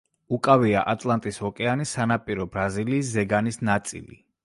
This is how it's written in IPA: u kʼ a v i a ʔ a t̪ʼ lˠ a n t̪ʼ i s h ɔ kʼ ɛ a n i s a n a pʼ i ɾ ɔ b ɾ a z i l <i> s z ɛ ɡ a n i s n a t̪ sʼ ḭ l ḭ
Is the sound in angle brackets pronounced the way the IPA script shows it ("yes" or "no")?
no